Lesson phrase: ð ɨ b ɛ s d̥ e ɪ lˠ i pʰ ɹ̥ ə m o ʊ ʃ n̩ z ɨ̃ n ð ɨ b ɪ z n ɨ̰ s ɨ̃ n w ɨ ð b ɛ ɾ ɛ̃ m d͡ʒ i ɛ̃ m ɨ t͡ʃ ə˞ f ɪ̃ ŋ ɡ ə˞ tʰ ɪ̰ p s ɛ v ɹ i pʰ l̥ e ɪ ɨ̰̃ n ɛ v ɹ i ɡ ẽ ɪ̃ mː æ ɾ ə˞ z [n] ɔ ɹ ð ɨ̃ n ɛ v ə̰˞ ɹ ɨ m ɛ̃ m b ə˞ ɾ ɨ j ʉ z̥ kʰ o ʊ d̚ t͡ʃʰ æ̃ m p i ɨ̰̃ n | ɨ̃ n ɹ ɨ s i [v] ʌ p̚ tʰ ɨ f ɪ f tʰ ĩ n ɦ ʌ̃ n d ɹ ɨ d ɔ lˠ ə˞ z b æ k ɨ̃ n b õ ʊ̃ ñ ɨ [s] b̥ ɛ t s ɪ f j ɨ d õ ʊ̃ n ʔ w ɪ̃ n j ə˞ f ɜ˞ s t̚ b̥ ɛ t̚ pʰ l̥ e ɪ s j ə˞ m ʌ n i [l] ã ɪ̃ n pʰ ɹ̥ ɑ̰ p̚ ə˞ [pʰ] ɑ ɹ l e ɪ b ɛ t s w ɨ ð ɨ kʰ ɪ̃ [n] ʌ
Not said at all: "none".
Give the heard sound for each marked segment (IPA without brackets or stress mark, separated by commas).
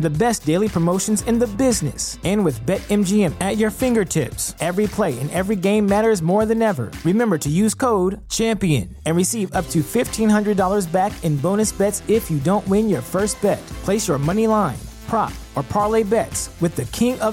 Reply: m, v, s, l, pʰ, ŋ